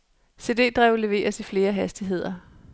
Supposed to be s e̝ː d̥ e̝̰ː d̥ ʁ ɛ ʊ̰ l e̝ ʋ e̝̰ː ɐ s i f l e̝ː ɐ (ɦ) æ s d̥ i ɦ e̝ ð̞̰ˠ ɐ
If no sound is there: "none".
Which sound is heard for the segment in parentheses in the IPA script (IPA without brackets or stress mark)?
ɦ